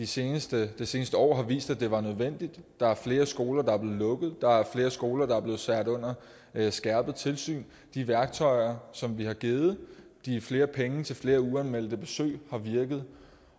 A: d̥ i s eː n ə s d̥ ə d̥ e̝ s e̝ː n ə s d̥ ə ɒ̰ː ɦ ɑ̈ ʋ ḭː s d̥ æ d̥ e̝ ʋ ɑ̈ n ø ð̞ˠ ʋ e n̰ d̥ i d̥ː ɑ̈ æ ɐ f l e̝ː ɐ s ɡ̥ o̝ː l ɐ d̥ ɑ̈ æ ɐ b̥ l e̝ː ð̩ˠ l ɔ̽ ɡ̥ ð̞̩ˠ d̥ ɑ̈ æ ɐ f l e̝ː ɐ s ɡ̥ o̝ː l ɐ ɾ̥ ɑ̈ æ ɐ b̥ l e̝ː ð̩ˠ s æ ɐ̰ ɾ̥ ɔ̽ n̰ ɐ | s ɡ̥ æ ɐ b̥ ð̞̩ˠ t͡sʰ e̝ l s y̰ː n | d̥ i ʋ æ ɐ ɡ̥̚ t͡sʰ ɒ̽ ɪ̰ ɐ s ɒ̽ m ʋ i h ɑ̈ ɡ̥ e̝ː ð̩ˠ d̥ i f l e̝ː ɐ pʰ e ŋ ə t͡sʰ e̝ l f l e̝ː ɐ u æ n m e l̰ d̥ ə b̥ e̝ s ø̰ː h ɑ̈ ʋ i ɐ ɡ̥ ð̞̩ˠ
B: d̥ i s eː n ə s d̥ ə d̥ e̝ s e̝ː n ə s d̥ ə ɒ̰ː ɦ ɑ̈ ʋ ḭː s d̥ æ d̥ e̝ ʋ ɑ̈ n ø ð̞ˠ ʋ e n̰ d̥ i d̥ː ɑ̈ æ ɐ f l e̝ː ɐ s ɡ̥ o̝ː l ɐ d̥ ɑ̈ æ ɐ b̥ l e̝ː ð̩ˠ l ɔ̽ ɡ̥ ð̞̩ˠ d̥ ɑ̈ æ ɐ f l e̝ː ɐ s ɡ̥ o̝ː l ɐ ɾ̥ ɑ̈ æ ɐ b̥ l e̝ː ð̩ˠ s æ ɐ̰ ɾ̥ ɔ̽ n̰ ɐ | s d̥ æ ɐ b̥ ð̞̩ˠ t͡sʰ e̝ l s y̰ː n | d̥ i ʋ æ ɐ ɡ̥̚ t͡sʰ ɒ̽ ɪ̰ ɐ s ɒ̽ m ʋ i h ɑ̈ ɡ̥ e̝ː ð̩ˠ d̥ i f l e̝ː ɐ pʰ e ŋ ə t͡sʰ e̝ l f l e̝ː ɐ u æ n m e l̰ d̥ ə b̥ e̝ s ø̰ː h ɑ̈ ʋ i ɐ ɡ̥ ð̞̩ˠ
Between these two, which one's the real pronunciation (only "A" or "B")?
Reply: A